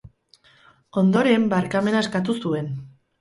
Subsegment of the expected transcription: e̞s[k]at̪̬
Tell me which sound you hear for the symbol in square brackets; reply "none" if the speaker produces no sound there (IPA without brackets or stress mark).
k